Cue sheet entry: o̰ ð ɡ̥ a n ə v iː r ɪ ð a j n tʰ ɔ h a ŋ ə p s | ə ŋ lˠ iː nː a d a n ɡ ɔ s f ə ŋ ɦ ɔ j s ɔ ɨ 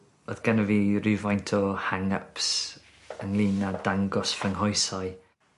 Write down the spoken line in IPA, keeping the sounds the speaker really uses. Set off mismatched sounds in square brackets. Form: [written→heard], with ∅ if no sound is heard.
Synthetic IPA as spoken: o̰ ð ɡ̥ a n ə v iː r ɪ [ð→v] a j n tʰ ɔ h a ŋ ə p s | ə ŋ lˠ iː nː a d a [n→ŋ] ɡ ɔ s f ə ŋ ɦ ɔ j s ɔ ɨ